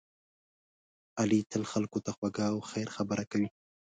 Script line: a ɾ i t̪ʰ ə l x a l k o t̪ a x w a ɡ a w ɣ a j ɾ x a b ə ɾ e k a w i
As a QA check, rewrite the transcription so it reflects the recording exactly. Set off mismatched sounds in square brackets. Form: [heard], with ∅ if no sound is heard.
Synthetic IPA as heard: a [l] i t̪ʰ ə l x a l k o t̪ a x w a ɡ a w [x] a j ɾ x a b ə ɾ [a] k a w i